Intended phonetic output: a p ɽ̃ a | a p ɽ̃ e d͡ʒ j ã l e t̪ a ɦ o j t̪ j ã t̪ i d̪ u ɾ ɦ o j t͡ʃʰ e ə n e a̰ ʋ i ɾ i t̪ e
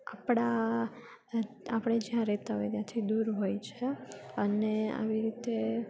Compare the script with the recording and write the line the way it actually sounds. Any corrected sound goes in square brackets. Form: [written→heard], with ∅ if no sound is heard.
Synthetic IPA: a p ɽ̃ a | a p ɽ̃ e d͡ʒ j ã [l→ɾ] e t̪ a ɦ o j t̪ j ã [t̪→t̪ʰ] i d̪ u ɾ ɦ o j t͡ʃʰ e ə n e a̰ ʋ i ɾ i t̪ e